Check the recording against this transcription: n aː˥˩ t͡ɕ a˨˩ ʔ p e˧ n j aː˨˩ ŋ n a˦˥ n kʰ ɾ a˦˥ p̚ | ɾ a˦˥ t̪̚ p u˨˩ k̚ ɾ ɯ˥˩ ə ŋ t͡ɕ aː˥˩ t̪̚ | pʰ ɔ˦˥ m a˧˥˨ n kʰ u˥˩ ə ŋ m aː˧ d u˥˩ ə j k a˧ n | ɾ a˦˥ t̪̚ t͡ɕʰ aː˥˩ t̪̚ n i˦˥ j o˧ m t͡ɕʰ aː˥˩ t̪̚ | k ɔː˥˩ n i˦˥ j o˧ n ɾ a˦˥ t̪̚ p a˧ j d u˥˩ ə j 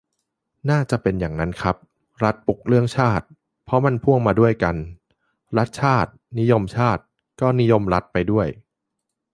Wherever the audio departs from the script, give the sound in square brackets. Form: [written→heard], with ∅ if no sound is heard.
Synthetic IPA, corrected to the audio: n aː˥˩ t͡ɕ a˨˩ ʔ p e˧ n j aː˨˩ ŋ n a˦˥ n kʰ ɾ a˦˥ p̚ | ɾ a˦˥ t̪̚ p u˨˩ k̚ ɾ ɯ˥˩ ə ŋ [t͡ɕ→t͡ɕʰ] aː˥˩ t̪̚ | pʰ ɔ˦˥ m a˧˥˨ n [kʰ→pʰ] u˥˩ ə ŋ m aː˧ d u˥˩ ə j k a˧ n | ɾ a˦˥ t̪̚ t͡ɕʰ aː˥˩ t̪̚ n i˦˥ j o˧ m t͡ɕʰ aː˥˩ t̪̚ | k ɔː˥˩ n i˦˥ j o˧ [n→m] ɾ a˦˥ t̪̚ p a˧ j d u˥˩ ə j

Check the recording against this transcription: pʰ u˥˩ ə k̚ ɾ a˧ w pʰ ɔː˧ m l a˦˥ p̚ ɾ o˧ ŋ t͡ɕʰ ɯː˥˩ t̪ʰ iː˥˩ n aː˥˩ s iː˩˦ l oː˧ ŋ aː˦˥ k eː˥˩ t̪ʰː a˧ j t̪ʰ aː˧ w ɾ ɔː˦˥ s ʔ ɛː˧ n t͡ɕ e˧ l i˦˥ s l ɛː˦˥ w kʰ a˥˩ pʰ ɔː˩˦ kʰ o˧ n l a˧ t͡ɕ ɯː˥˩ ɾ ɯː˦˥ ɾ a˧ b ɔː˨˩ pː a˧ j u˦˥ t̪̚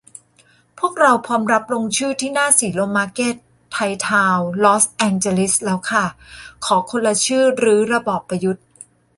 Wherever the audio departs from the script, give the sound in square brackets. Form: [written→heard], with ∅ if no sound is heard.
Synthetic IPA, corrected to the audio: pʰ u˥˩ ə k̚ ɾ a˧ w pʰ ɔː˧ m [l→ɾ] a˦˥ p̚ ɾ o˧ ŋ t͡ɕʰ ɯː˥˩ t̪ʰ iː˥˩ n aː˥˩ s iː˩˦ l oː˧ [ŋ→m] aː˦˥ k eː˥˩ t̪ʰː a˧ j t̪ʰ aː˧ w [ɾ→l] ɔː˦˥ s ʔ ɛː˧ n t͡ɕ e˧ l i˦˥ s l ɛː˦˥ w kʰ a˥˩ [pʰ→kʰ] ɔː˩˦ kʰ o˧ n l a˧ [t͡ɕ→t͡ɕʰ] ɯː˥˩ ɾ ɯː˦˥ ɾ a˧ b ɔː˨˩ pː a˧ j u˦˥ t̪̚

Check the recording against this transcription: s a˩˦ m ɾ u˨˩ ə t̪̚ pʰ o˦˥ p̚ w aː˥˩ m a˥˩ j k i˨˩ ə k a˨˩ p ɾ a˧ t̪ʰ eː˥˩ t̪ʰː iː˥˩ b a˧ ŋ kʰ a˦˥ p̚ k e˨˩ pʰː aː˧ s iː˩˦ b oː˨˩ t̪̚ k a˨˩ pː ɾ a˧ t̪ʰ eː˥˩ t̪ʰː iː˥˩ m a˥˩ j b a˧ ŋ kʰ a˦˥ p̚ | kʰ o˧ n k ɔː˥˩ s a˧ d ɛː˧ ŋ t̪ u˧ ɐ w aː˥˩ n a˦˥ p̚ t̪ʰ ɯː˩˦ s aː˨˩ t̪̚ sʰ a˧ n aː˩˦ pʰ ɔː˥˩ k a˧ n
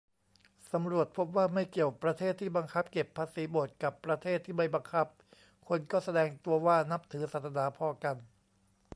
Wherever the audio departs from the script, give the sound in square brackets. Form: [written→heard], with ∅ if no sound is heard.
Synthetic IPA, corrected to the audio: s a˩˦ m ɾ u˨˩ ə t̪̚ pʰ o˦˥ p̚ w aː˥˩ m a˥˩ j k i˨˩ ə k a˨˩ p ɾ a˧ t̪ʰ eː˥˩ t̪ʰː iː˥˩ b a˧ ŋ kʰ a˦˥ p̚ k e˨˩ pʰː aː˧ s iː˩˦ b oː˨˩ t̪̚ k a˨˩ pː ɾ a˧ t̪ʰ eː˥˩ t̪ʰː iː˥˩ m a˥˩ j b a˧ ŋ kʰ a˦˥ p̚ | kʰ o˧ n k ɔː˥˩ s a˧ d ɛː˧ ŋ t̪ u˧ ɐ w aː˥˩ n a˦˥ p̚ t̪ʰ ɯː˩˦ s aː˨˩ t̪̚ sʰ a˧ n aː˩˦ pʰ [ɔː˥˩→ɔː˧] k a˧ n

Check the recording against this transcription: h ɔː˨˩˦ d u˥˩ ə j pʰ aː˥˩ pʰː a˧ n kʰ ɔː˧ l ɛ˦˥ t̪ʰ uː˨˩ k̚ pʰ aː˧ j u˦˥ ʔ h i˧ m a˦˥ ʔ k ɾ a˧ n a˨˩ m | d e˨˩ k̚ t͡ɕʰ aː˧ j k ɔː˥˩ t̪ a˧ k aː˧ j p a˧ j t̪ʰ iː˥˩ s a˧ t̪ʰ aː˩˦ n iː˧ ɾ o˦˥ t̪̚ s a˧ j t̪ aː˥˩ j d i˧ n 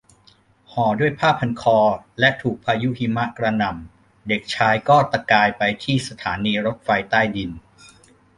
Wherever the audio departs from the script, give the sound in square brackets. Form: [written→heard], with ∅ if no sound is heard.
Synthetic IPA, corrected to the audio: h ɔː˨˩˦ d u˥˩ ə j pʰ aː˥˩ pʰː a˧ n kʰ ɔː˧ l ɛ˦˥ t̪ʰ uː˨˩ k̚ pʰ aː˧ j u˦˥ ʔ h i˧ m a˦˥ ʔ k ɾ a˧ n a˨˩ m | d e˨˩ k̚ t͡ɕʰ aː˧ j k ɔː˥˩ t̪ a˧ k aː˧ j p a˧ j t̪ʰ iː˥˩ s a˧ t̪ʰ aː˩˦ n iː˧ ɾ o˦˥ t̪̚ [s→f] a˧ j t̪ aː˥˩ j d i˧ n

